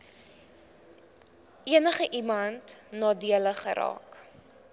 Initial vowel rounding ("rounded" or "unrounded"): unrounded